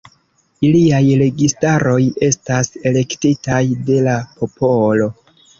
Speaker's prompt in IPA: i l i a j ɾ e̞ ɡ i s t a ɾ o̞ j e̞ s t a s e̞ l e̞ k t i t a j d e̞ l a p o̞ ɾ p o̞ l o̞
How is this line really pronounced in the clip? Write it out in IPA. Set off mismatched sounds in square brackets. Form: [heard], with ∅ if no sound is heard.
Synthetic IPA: i l i a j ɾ e̞ ɡ i s t a ɾ o̞ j e̞ s t a s e̞ l e̞ k t i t a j d e̞ l a p o̞ [∅] p o̞ l o̞